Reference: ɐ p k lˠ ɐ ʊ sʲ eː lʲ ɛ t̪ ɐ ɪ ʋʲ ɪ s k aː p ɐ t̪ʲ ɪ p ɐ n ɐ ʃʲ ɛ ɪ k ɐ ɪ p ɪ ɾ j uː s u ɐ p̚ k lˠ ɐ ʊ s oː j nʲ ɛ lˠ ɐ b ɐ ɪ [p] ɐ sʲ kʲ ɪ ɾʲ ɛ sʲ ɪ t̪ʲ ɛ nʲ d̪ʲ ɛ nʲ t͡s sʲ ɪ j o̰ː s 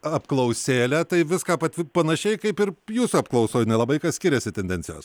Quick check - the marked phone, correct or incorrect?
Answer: incorrect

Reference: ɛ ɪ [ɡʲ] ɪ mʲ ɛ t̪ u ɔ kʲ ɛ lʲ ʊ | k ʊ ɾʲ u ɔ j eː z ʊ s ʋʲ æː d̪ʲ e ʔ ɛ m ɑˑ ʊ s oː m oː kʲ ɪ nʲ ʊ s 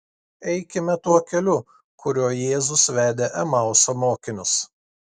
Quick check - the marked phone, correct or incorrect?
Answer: incorrect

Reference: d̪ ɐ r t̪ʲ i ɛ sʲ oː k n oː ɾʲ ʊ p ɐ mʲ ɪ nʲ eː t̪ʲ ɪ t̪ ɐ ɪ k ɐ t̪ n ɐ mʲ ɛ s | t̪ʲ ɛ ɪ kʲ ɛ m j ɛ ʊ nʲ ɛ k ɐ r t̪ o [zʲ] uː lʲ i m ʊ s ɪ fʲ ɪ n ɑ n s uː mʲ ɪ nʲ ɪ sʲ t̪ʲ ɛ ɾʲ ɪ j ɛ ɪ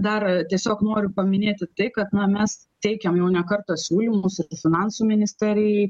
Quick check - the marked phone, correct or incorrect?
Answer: incorrect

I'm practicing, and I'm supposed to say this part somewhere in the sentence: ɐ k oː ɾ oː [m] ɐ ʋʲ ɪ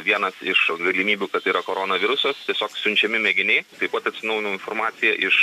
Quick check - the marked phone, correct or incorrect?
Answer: incorrect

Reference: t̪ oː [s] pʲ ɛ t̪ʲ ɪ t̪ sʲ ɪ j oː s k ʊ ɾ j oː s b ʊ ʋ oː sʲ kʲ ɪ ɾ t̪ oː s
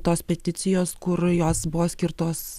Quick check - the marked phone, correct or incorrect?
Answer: correct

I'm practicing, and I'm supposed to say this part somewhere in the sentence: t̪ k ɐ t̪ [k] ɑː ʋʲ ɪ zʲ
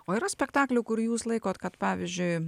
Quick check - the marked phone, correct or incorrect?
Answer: incorrect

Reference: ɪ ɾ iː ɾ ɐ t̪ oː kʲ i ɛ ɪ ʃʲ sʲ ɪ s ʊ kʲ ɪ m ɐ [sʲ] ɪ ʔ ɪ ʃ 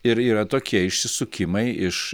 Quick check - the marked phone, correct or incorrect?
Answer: incorrect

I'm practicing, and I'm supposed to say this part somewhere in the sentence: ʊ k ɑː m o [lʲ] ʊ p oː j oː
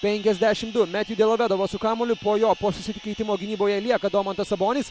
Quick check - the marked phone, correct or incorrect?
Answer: correct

